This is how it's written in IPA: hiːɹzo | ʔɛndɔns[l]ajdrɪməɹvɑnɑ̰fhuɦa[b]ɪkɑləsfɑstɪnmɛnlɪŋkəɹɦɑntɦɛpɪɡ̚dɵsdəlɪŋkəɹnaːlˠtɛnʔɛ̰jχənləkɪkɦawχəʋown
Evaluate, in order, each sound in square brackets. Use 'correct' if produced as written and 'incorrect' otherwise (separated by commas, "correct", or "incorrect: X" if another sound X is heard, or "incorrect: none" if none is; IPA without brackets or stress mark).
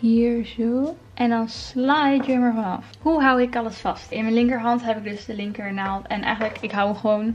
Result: correct, incorrect: w